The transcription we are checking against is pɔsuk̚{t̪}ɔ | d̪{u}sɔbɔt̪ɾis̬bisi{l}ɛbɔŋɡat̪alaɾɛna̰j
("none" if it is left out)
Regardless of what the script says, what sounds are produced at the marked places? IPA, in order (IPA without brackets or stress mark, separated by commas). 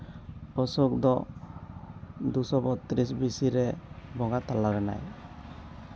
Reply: d̪, u, ɾ